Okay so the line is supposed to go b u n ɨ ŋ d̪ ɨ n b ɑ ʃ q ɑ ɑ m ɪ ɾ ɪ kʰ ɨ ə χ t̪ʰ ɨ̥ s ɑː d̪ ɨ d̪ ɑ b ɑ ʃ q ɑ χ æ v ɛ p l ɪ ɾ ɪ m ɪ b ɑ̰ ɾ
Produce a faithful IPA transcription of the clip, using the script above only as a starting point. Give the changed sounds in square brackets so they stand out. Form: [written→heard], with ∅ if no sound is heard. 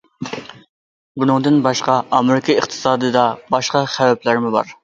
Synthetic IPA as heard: b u n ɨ ŋ d̪ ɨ n b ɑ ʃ q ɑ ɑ m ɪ ɾ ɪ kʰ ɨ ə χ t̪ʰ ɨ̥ s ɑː d̪ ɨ d̪ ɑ b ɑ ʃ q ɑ χ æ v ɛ p l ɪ ɾ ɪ m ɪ b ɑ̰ ɾ